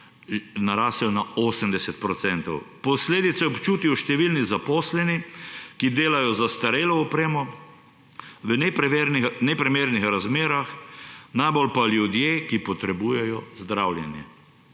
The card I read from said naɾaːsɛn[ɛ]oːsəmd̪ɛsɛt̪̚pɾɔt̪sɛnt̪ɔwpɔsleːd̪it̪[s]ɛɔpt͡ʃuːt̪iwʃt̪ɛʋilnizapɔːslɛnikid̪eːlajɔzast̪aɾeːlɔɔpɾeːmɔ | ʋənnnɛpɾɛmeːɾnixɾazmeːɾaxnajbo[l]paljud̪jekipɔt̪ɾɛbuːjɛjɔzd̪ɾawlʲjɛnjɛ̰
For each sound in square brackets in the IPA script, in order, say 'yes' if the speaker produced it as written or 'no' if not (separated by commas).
no, yes, yes